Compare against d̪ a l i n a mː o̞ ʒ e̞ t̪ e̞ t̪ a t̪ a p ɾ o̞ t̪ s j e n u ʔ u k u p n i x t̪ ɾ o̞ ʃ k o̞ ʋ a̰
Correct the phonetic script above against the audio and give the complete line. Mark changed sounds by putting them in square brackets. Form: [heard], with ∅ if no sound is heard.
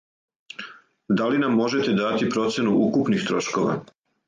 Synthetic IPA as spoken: d̪ a l i n a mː o̞ ʒ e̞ t̪ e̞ [d̪] a t̪ [i] p ɾ o̞ t̪ s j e n u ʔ u k u p n i x t̪ ɾ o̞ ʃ k o̞ ʋ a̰